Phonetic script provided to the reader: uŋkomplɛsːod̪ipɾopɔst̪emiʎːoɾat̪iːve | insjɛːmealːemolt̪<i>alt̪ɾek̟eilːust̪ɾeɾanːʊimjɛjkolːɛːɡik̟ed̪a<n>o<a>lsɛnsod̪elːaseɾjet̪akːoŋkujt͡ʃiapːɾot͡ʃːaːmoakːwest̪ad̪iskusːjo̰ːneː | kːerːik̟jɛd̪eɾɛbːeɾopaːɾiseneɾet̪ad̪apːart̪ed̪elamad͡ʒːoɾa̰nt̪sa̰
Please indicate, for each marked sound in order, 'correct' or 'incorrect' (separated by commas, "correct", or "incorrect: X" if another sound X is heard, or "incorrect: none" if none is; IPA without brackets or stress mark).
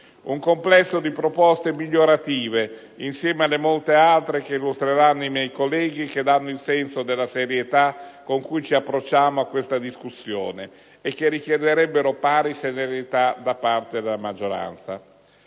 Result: incorrect: e, incorrect: nː, incorrect: i